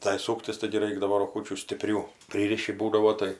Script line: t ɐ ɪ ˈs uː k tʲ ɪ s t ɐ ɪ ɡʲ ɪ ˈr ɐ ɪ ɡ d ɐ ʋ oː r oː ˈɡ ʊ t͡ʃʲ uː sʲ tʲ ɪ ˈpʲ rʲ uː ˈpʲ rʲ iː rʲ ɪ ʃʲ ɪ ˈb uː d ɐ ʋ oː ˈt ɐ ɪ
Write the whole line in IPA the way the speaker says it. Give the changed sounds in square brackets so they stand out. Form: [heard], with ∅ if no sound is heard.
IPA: t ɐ ɪ ˈs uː k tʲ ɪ s t ɐ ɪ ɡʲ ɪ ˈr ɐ ɪ ɡ d ɐ ʋ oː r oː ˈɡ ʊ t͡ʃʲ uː sʲ tʲ ɪ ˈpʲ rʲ uː ˈpʲ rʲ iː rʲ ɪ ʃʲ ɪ ˈb uː d ɐ ʋ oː ˈt ɐ ɪ